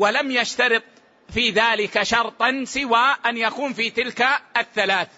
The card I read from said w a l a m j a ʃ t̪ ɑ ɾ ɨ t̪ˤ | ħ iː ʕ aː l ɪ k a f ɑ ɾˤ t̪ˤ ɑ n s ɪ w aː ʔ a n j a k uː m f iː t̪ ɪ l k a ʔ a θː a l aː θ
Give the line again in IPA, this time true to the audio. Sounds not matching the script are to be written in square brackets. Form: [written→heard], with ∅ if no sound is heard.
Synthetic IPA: w a l a m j a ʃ t̪ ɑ ɾ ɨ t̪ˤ | [ħ→f] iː [ʕ→ð] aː l ɪ k a [f→ʃ] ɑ ɾˤ t̪ˤ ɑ n s ɪ w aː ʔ a n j a k uː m f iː t̪ ɪ l k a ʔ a θː a l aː θ